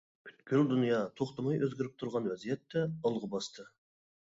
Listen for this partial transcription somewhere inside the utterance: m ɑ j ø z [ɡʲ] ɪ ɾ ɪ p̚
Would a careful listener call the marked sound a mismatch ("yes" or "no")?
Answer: no